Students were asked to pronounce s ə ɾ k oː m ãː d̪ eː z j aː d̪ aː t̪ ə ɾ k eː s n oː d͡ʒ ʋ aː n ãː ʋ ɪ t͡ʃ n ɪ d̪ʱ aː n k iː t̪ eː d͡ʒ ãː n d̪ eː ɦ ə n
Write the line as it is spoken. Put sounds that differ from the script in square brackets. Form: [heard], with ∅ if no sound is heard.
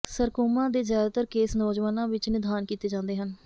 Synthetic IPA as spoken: s ə ɾ k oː m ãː d̪ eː z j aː d̪ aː t̪ ə ɾ k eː s n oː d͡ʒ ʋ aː n ãː ʋ ɪ t͡ʃ n ɪ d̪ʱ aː n k iː t̪ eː d͡ʒ ãː n d̪ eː ɦ ə n